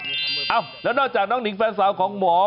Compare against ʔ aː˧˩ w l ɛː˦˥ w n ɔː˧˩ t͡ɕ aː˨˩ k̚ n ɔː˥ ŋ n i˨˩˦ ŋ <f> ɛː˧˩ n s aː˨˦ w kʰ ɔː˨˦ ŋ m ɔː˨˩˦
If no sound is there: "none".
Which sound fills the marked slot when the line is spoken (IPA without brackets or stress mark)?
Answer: f